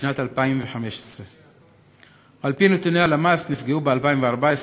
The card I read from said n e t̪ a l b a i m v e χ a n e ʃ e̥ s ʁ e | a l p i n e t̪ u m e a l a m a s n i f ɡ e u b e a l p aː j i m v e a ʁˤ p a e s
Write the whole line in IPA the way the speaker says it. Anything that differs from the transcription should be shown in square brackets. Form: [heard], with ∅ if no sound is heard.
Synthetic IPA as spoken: n [a] t̪ a l [p] a i m v e [ħ] a [m] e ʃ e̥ s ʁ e | a l p i n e t̪ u [n] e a l a m a s n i f ɡ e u b e a l p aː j i m v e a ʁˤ [b] a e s

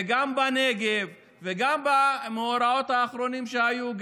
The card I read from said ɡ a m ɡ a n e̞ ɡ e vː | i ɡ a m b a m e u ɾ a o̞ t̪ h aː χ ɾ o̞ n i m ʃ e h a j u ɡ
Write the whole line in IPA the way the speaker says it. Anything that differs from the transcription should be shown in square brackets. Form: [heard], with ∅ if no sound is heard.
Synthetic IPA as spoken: ɡ a m [b] a n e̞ ɡ e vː | [e] ɡ a m b a m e [o] ɾ a o̞ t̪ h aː χ ɾ o̞ n i m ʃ e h a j u ɡ

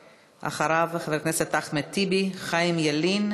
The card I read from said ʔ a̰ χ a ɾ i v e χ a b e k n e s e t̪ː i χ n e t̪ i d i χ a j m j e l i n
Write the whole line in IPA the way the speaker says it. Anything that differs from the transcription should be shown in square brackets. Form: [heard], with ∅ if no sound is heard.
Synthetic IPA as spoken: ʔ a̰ χ a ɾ [a] v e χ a [v] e k n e s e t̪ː [a] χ [m] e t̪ i [b] i χ a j m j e l i n

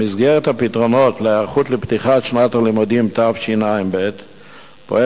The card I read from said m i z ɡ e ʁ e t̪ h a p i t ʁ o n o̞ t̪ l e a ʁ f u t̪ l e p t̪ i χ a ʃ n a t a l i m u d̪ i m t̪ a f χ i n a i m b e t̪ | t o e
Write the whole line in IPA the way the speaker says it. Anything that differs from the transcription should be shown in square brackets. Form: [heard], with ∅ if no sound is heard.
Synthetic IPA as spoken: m i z ɡ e ʁ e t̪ h a p i t ʁ o n o̞ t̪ l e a ʁ [χ] u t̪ l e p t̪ i χ a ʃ n a t a l i m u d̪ i m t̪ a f [ʃ] i n a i m b e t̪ | [p] o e

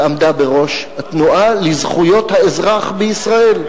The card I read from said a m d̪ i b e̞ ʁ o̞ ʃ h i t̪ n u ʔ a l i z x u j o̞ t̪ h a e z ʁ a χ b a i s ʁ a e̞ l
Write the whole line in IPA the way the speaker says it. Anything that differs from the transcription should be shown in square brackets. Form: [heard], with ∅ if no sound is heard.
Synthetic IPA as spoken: a m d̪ [a] b e̞ ʁ o̞ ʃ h [a] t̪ n u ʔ a l i z [χ] u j o̞ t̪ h a e z ʁ a χ b [e] i s ʁ a e̞ l

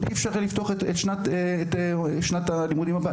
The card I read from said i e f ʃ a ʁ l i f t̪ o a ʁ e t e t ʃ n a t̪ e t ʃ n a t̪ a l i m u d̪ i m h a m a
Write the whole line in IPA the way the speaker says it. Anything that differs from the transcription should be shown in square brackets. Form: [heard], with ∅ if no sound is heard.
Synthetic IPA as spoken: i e f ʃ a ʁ l i f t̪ o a [χ] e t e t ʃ n a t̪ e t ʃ n a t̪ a l i m u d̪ i m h a [b] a

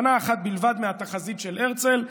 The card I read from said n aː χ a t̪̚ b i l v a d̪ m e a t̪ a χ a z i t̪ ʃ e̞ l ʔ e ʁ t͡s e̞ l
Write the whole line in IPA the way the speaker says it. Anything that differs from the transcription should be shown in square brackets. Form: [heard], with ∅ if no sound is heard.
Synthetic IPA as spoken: n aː χ a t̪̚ b i l v a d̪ m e a t̪ a χ a z i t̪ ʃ e̞ l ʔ e ʁ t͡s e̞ l

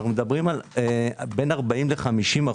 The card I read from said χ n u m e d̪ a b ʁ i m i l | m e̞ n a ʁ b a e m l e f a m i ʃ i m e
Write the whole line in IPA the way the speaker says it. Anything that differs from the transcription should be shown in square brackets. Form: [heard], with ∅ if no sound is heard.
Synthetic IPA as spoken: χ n u m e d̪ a b ʁ i m [a] l | [b] e̞ n a ʁ b a [i] m l e [χ] a m i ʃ i m [a]

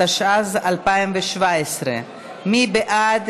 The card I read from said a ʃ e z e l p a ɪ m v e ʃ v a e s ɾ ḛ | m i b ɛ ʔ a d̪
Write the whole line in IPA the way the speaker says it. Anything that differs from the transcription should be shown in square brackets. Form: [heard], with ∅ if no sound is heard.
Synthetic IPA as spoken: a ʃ [a] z [a] l p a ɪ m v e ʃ v a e s ɾ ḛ | m i b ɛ ʔ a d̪

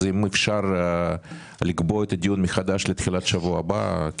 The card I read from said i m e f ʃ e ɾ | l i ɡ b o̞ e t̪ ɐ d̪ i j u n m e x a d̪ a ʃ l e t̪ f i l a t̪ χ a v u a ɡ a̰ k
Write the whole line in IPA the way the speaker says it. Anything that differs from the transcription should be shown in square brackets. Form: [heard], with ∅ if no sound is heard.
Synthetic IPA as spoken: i m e f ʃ [a] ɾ | l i ɡ b o̞ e t̪ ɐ d̪ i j u n m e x a d̪ a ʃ l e t̪ [x] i l a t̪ [ʃ] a v u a [b] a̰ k

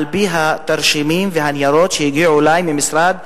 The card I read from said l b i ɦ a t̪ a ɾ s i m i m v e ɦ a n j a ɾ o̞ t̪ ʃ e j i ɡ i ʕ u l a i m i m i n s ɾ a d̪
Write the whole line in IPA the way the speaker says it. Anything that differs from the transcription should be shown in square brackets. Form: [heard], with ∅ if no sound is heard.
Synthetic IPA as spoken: l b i ɦ a t̪ a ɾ [ʃ] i m i m v e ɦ a n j a ɾ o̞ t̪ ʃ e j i ɡ i ʕ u l a [j] m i m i [∅] s ɾ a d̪

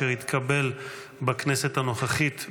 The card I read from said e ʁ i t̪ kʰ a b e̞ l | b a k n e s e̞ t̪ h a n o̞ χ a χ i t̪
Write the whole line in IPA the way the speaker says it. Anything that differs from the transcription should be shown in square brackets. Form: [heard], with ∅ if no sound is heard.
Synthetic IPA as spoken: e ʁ i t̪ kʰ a b e̞ l | b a k n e s e̞ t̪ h a n o̞ χ a χ i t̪

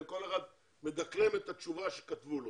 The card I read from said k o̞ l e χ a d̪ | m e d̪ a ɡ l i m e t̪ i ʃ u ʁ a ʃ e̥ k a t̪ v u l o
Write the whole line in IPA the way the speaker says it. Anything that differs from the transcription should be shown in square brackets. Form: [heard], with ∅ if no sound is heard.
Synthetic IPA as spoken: k o̞ l e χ a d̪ | m e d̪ a [k] l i m e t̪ [a] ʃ u [v] a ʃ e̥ k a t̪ v u l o

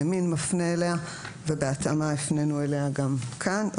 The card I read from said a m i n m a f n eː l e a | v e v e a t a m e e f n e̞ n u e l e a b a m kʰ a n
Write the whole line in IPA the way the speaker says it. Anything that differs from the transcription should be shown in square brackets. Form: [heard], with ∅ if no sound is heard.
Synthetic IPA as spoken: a m i n m a f n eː l e a | v e [b] e a t a m [a] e f n e̞ n u e l e a [ɡ] a m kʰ a n

